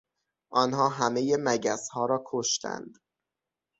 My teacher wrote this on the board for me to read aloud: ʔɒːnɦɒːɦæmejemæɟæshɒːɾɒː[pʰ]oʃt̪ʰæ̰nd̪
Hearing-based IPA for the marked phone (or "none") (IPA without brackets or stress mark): kʰ